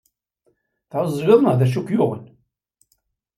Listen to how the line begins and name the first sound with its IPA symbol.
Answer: θ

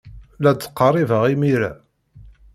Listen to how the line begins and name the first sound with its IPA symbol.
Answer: l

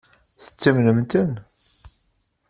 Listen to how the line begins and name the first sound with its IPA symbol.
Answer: θ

